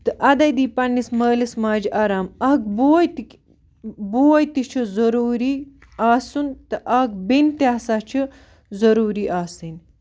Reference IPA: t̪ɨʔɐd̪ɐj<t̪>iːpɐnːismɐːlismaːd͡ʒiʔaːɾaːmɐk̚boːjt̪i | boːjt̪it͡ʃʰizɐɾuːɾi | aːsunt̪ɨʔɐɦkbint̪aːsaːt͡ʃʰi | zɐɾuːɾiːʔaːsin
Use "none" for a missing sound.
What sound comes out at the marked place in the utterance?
d̪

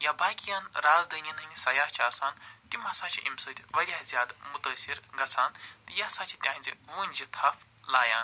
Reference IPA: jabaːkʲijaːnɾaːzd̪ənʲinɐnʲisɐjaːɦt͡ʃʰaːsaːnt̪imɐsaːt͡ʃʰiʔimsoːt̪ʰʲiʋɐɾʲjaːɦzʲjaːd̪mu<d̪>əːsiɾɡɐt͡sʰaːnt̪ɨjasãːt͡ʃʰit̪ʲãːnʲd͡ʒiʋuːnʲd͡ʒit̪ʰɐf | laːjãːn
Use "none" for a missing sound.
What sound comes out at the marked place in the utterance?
t̪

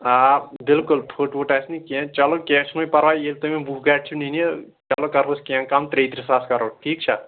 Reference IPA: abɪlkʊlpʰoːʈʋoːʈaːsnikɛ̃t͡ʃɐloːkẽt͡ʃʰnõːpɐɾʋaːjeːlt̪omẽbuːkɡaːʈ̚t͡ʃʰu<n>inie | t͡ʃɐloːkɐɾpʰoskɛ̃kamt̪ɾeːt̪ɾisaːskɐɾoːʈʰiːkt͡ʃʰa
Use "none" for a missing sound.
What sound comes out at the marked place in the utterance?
n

